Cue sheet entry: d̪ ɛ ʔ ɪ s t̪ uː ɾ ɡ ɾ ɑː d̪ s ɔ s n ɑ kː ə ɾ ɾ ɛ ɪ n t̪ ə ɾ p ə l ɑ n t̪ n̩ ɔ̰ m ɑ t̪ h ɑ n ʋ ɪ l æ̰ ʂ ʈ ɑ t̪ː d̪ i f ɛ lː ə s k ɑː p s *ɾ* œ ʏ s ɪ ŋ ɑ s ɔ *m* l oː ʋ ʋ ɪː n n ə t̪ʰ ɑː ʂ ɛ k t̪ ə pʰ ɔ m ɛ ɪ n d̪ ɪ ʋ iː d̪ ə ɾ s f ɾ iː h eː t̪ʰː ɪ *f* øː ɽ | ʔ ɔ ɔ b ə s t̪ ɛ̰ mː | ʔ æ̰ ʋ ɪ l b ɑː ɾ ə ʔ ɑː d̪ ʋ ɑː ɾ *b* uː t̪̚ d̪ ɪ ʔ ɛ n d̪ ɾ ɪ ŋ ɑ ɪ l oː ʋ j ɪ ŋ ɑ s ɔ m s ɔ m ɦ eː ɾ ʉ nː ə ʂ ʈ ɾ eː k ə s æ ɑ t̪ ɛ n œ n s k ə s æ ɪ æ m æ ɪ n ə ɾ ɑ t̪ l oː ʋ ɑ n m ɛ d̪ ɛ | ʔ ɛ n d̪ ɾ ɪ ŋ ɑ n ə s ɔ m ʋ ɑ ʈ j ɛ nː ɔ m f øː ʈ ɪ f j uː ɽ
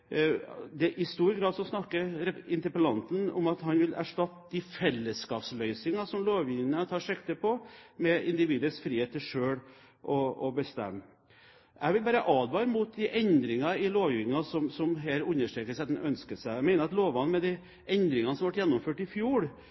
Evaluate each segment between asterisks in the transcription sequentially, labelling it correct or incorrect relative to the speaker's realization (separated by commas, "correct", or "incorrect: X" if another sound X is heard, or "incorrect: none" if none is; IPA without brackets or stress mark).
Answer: incorrect: l, correct, incorrect: ʂ, incorrect: m